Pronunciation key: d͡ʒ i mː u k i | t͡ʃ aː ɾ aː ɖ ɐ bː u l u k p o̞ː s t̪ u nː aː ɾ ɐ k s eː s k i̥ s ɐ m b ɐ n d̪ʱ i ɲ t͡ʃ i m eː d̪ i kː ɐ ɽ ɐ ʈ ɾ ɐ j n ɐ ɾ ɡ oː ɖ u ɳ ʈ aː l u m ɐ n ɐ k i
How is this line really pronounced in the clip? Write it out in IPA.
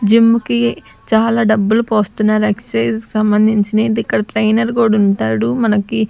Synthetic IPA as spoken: d͡ʒ i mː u k i | t͡ʃ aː l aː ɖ ɐ bː u l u p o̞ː s t̪ u nː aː ɾ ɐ k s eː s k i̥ s ɐ m b ɐ n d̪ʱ i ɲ t͡ʃ i n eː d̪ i kː ɐ ɽ ɐ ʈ ɾ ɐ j n ɐ ɾ ɡ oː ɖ u ɳ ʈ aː ɽ u m ɐ n ɐ k i

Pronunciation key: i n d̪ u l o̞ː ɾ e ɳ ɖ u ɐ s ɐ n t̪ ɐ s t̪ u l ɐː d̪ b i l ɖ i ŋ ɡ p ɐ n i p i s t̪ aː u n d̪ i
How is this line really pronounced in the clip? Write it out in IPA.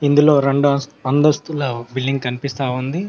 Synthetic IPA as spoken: i n d̪ u l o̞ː ɾ e ɳ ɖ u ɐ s ɐ n d̪ ɐ s t̪ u l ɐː b i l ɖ i ŋ ɡ k ɐ n i p i s t̪ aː u n d̪ i

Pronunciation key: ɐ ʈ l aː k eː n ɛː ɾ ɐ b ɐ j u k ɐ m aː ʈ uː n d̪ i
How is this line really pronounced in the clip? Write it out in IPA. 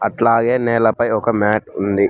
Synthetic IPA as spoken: ɐ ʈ l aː ɡ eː n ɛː l ɐ p ɐ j ɔ k ɐ m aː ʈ u n d̪ i

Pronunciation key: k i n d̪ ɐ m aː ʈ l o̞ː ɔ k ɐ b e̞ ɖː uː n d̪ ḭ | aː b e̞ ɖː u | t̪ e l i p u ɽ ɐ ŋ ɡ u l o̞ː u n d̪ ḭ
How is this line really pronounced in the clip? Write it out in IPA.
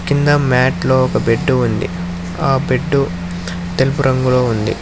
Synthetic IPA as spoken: k i n d̪ ɐ m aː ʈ l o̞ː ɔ k ɐ b e̞ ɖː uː n d̪ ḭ | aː b e̞ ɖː u | t̪ e l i p u ɾ ɐ ŋ ɡ u l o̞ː u n d̪ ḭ

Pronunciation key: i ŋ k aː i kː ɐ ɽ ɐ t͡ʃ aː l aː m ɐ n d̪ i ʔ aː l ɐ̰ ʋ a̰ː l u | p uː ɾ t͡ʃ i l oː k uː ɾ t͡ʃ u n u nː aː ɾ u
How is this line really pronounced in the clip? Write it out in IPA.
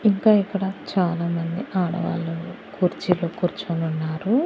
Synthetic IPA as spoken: i ŋ k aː i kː ɐ ɽ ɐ t͡ʃ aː l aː m ɐ n d̪ i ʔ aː ɽ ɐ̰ ʋ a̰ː l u | k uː ɾ t͡ʃ i l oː k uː ɾ t͡ʃ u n u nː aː ɾ u

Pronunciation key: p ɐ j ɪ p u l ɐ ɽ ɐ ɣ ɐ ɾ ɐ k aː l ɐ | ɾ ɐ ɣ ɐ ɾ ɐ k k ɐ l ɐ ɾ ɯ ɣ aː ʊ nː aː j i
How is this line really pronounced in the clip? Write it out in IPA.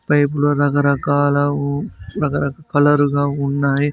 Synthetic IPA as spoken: p ɐ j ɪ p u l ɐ ɾ ɐ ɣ ɐ ɾ ɐ k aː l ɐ | ɾ ɐ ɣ ɐ ɾ ɐ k k ɐ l ɐ ɾ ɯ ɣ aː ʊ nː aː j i

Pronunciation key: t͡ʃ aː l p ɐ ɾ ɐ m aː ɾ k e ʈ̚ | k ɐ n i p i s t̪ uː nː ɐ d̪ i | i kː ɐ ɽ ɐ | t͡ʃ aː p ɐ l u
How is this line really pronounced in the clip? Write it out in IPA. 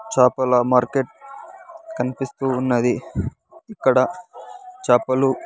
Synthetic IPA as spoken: t͡ʃ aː p ɐ l ɐ m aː ɾ k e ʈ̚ | k ɐ n i p i s t̪ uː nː ɐ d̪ i | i kː ɐ ɽ ɐ | t͡ʃ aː p ɐ l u

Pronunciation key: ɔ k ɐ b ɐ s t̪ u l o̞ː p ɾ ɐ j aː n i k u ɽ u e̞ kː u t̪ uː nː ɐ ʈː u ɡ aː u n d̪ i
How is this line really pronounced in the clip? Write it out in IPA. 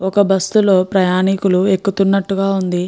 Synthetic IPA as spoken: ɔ k ɐ b ɐ s t̪ u l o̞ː p ɾ ɐ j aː n i k u l u e̞ kː u t̪ u nː ɐ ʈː u ɡ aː u n d̪ i

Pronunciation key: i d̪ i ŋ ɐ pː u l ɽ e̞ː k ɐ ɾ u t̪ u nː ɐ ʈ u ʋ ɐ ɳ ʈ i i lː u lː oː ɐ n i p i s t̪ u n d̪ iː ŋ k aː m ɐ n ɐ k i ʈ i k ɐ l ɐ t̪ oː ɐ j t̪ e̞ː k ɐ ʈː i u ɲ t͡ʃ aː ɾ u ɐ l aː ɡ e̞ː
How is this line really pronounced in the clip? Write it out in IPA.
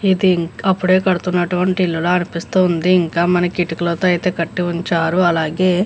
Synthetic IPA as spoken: i d̪ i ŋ ɐ pː u ɽ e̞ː k ɐ ɽ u t̪ u nː ɐ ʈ u ʋ ɐ ɳ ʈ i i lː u l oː ɐ n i p i s t̪ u n d̪ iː ŋ k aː m ɐ n ɐ k i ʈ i k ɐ l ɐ t̪ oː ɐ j t̪ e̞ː k ɐ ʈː i u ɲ t͡ʃ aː ɾ u ɐ l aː ɡ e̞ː

